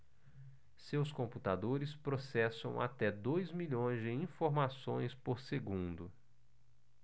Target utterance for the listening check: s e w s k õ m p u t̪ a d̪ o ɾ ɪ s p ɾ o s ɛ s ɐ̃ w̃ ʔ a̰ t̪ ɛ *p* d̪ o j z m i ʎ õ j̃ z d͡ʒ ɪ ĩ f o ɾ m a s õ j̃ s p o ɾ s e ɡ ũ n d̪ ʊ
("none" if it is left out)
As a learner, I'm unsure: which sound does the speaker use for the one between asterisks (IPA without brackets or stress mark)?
none